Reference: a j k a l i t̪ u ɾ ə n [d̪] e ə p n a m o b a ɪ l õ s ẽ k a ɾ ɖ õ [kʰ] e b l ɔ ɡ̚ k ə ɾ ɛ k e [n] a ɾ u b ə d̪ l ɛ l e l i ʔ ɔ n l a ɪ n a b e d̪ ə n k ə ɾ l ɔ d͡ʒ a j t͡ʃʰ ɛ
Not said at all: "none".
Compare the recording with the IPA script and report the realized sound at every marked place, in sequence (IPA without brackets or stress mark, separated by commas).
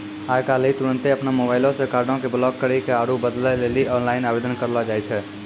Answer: t̪, k, none